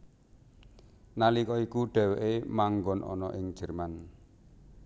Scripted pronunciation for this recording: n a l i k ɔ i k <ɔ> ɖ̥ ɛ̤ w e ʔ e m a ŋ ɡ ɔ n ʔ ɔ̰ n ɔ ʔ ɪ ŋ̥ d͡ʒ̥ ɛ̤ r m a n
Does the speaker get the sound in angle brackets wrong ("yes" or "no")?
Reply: yes